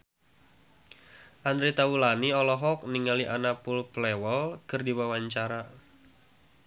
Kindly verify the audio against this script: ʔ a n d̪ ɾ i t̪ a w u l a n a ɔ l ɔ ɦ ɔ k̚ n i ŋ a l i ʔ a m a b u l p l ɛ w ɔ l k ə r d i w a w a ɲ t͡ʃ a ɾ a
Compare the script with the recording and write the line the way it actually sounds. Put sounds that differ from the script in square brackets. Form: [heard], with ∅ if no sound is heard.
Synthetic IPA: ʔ a n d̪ ɾ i t̪ a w u l a n [i] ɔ l ɔ ɦ ɔ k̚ n i ŋ a l i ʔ a [n] a [p] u l p l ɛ w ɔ l k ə r d i w a w a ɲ t͡ʃ a ɾ a